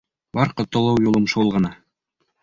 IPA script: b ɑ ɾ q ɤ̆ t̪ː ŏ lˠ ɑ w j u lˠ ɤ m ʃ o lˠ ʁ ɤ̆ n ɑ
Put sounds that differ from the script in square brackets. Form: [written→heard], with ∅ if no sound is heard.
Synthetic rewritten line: b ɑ ɾ q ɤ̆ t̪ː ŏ lˠ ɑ w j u lˠ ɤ m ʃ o lˠ ʁ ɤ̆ n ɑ

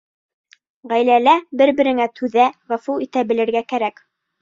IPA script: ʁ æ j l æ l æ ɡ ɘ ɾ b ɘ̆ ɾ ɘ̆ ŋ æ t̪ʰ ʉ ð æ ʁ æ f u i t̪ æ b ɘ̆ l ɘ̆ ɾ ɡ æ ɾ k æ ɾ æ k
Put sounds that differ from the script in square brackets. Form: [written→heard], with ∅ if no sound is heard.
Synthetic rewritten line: ʁ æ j l æ l æ [ɡ→b] ɘ ɾ b ɘ̆ ɾ ɘ̆ ŋ æ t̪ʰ ʉ ð æ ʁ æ f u i t̪ æ b ɘ̆ l ɘ̆ ɾ ɡ æ [ɾ→∅] k æ ɾ æ k

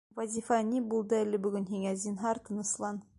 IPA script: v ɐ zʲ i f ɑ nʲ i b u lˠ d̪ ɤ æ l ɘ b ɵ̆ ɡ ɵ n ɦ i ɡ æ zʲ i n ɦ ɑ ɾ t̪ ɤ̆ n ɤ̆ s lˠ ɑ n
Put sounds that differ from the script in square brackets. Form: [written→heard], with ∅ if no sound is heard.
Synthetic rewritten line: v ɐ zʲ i f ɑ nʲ i b u lˠ d̪ ɤ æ l ɘ b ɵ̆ ɡ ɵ n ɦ i [ɡ→ŋ] æ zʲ i n ɦ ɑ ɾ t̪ ɤ̆ n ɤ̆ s lˠ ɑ n

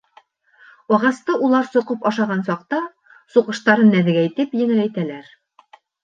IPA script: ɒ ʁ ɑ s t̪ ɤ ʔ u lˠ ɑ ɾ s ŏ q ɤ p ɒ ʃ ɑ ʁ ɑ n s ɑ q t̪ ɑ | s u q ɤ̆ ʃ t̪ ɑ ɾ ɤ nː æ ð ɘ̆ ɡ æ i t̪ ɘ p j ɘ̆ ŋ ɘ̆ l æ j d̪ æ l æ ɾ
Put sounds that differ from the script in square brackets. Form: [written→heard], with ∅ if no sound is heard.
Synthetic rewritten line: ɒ ʁ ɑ s t̪ ɤ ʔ u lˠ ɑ ɾ s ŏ q ɤ p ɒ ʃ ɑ ʁ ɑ n s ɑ q t̪ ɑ | s u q ɤ̆ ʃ t̪ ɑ ɾ ɤ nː æ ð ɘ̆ ɡ æ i t̪ ɘ p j ɘ̆ ŋ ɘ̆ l æ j [d̪→t̪] æ l æ ɾ

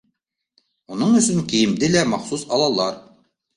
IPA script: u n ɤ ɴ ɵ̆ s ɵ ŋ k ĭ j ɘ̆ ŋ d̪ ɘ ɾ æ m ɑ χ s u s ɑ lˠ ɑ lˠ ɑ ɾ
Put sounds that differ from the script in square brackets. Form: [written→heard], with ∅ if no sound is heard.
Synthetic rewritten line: u n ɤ ɴ ɵ̆ s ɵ ŋ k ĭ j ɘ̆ [ŋ→m] d̪ ɘ [ɾ→l] æ m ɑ χ s u s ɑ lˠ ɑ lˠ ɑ ɾ

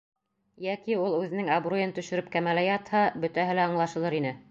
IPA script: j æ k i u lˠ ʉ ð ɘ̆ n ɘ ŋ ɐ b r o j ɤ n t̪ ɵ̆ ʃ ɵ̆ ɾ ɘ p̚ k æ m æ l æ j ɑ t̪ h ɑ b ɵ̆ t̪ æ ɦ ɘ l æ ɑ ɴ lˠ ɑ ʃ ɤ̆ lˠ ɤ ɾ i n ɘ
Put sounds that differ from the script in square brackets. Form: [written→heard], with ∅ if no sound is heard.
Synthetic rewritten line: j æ k i u lˠ ʉ ð ɘ̆ n ɘ ŋ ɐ b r o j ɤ n t̪ ɵ̆ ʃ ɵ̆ ɾ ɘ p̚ k æ m æ l æ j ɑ t̪ h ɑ b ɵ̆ t̪ æ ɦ ɘ l æ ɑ ɴ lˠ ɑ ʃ ɤ̆ lˠ ɤ ɾ i n ɘ

